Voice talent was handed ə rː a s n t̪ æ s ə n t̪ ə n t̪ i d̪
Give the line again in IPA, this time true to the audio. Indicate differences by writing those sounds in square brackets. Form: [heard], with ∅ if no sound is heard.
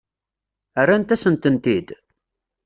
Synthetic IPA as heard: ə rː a [∅] n t̪ æ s ə n t̪ ə n t̪ i d̪